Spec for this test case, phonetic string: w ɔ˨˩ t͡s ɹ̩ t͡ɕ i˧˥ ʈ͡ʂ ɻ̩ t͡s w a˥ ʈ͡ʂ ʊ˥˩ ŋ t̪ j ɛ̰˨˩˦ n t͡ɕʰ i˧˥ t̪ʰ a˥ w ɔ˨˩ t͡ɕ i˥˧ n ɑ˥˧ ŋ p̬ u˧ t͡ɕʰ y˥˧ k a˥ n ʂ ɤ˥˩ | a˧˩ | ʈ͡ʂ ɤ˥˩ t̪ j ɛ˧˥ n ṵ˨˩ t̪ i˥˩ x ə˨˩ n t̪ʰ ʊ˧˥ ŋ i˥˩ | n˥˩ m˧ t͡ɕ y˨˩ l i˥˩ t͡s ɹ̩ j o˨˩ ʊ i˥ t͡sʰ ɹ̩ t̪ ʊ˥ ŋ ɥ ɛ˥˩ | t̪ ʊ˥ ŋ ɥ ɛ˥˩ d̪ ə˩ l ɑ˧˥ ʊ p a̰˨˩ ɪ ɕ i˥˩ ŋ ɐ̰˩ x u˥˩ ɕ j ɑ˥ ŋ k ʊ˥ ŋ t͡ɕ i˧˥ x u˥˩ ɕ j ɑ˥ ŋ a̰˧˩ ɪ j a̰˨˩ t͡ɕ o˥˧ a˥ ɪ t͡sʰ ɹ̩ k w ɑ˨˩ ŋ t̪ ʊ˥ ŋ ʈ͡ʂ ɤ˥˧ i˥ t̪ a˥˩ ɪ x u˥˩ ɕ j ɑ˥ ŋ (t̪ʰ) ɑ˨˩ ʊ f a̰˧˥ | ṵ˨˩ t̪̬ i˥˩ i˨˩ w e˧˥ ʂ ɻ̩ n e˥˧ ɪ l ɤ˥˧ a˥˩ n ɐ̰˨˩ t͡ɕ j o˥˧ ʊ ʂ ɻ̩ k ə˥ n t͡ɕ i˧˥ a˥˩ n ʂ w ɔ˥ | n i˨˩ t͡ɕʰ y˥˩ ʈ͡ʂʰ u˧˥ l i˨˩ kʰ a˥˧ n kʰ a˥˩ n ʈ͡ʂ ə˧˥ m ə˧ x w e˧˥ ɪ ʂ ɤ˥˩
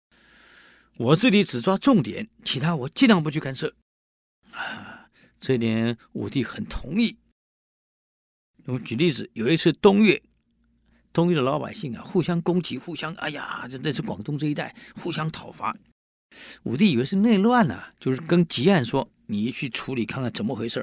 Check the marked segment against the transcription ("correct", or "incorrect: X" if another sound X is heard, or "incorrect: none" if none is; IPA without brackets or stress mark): correct